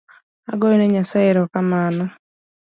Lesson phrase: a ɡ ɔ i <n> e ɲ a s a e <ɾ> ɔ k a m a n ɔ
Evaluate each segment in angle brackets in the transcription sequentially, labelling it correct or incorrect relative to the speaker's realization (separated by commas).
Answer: correct, correct